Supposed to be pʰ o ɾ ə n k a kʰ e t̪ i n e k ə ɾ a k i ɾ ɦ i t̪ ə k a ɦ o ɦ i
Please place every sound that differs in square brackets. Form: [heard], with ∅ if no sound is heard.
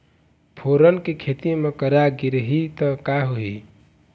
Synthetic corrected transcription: pʰ o ɾ ə n k [e] kʰ e t̪ i [m] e k ə ɾ a [ɡ] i ɾ ɦ i t̪ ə k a ɦ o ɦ i